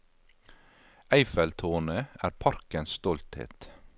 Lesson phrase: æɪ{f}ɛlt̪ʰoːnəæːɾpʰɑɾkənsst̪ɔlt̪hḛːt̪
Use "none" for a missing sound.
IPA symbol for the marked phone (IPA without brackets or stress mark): f